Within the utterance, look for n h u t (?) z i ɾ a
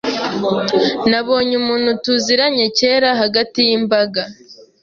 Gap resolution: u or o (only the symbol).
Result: u